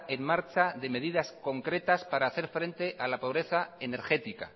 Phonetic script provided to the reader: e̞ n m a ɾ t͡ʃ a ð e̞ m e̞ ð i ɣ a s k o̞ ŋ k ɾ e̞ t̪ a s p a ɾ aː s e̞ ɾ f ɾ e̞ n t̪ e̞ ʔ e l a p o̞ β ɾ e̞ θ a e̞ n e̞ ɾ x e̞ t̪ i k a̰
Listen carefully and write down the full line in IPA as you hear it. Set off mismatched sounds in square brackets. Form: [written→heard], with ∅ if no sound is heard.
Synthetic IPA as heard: e̞ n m a ɾ t͡ʃ a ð e̞ m e̞ ð i [ɣ→ð] a s k o̞ ŋ k ɾ e̞ t̪ a s p a ɾ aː [s→θ] e̞ ɾ f ɾ e̞ n t̪ e̞ ʔ [e→a] l a p o̞ β ɾ e̞ θ a e̞ n e̞ ɾ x e̞ t̪ i k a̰